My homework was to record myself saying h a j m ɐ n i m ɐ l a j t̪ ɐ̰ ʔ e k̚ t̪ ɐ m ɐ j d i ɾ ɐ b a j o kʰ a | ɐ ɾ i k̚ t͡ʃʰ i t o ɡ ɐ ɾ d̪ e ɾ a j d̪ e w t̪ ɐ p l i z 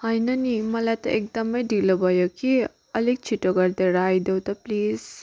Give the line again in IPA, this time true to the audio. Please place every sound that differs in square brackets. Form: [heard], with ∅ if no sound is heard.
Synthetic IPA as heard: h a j [n] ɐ n i m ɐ l a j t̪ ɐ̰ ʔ e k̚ [d̪] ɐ m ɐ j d i [l] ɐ b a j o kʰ [i] | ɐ [l] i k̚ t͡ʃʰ i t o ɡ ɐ ɾ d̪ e ɾ a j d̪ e w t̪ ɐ p l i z